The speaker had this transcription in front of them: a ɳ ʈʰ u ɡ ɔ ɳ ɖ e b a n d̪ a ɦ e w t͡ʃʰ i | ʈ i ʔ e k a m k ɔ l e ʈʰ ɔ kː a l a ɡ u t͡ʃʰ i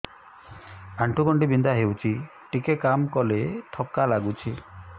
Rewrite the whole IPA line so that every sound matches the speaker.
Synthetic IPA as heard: a ɳ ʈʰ u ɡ ɔ ɳ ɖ i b i n d̪ a ɦ e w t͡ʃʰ i | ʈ i k e k a m k ɔ l e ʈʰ ɔ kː a l a ɡ u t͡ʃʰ i